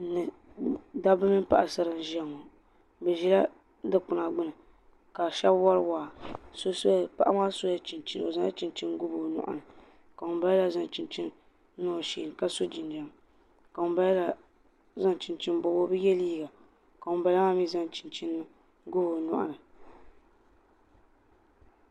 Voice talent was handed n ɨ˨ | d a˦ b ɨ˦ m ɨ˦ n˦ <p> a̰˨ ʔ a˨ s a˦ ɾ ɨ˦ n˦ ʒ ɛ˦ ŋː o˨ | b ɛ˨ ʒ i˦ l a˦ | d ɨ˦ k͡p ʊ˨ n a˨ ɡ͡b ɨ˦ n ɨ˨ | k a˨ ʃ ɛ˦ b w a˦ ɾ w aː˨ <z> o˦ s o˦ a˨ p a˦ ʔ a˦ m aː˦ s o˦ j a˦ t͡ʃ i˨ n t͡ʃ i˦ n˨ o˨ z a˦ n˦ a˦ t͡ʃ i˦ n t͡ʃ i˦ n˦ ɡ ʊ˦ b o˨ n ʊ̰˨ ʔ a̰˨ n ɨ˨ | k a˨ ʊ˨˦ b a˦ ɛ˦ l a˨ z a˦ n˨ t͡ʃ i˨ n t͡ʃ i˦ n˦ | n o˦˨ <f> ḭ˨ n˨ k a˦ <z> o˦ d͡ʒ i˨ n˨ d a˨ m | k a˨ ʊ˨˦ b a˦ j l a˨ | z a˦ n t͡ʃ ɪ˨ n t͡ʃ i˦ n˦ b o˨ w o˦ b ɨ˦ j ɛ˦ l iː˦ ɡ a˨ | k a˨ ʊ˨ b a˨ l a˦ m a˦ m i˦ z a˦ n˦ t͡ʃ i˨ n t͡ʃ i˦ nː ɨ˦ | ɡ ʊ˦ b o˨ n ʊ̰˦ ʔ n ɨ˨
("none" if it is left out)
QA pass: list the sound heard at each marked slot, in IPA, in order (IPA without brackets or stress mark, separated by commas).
p, s, ʃ, s